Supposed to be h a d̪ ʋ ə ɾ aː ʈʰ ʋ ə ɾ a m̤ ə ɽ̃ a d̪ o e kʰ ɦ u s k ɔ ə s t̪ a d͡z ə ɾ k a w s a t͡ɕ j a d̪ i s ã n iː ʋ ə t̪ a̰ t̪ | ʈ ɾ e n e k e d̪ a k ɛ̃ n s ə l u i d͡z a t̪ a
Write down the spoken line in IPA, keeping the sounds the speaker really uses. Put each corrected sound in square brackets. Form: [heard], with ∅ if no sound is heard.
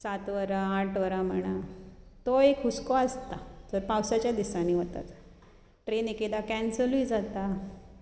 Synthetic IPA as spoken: [s] a [t̪] ʋ ə ɾ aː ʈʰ ʋ ə ɾ a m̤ ə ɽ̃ a [t̪] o e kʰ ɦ u s k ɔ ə s t̪ a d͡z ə ɾ [p] a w s a t͡ɕ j a d̪ i s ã n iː ʋ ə t̪ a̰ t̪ | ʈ ɾ e n e k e d̪ a k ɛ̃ n s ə l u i d͡z a t̪ a

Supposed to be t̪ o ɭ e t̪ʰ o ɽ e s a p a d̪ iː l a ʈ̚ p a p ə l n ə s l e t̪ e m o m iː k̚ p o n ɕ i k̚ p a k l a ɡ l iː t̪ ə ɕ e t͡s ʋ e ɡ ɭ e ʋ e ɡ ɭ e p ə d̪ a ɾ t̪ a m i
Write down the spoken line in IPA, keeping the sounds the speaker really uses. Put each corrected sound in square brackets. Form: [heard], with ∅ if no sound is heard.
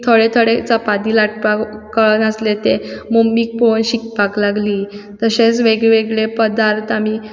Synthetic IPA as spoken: [t̪ʰ] o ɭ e t̪ʰ o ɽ e [t͡s] a p a d̪ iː l a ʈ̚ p a [k] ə [ɭ] n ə s l e t̪ e m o m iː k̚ p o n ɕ i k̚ p a k l a ɡ l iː t̪ ə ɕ e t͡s ʋ e ɡ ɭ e ʋ e ɡ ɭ e p ə d̪ a ɾ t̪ a m i

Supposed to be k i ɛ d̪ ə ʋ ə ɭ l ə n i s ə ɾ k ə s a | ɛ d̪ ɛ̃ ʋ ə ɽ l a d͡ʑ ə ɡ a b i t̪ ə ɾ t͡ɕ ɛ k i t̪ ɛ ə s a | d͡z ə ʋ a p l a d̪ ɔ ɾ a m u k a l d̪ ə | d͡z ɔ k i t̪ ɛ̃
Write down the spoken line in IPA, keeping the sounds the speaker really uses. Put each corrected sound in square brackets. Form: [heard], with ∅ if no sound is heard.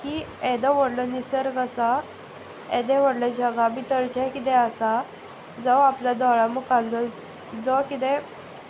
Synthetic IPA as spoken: k i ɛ d̪ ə ʋ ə [ɽ] l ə n i s ə ɾ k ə s a | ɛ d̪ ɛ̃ ʋ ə ɽ l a d͡ʑ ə ɡ a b i t̪ ə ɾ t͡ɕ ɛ k i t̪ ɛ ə s a | d͡z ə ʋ a p l a d̪ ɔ [ɭ] a m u k a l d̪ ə | d͡z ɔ k i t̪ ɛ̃

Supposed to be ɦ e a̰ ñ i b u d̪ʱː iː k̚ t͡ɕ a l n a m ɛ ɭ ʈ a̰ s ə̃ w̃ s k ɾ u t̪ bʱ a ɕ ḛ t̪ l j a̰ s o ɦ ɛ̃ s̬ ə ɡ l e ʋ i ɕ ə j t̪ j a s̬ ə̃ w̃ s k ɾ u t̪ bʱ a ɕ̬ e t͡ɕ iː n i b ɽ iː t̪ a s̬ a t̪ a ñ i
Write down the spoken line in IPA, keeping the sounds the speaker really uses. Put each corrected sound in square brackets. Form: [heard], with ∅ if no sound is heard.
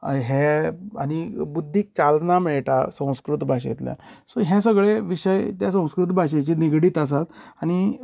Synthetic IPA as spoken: ɦ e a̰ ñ i b u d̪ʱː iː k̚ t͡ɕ a l n a m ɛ ɭ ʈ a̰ s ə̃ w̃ s k ɾ u t̪ bʱ a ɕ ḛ t̪ l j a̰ s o ɦ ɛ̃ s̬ ə ɡ [ɭ] e ʋ i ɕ ə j t̪ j a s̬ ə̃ w̃ s k ɾ u t̪ bʱ a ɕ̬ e t͡ɕ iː n i [ɡ] ɽ iː t̪ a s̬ a t̪ a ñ i

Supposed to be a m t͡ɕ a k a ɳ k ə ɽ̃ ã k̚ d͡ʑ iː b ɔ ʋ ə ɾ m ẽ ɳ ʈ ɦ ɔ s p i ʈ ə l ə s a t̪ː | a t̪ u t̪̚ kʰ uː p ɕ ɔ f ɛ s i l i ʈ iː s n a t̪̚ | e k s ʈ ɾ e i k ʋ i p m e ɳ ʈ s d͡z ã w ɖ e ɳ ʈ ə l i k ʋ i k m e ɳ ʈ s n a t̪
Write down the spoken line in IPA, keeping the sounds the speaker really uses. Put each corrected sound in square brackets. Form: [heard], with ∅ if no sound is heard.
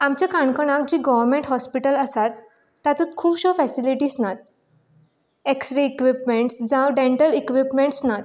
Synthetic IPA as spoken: a m t͡ɕ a k a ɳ k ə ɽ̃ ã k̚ d͡ʑ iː [ɡ] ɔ ʋ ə ɾ m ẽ ɳ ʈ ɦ ɔ s p i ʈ ə l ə s a t̪ː | a t̪ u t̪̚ kʰ uː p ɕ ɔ f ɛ s i l i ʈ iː s n a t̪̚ | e k s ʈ ɾ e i k ʋ i p m e ɳ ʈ s d͡z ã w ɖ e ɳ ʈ ə l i k ʋ i [p] m e ɳ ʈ s n a t̪

